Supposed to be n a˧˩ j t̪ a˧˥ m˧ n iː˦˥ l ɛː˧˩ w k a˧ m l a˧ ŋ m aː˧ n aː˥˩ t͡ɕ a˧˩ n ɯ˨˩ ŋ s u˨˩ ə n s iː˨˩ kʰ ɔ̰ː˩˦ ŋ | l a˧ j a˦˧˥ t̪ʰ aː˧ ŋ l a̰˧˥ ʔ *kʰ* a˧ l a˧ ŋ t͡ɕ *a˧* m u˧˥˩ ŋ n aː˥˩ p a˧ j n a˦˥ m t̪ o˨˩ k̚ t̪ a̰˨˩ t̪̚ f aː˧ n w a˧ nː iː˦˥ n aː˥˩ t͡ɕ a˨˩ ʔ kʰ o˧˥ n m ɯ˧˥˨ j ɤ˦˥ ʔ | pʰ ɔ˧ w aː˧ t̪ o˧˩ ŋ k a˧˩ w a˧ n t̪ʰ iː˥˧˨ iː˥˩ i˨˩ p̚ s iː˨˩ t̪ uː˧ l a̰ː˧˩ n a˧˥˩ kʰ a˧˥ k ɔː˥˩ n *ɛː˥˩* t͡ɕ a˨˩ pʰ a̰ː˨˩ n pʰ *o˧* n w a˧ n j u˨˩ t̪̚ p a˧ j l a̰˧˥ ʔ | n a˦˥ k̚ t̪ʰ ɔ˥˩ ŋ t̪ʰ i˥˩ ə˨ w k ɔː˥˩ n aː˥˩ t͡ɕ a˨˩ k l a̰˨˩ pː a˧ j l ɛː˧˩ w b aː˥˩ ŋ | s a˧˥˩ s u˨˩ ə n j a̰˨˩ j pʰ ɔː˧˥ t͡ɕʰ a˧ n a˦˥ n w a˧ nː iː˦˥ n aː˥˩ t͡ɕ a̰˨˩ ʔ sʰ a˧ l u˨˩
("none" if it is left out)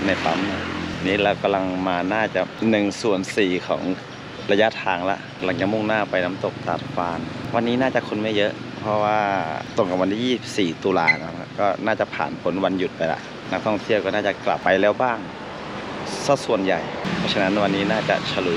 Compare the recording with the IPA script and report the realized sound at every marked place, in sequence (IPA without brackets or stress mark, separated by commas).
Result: k, a˨˩, aː˥˩, o˩˦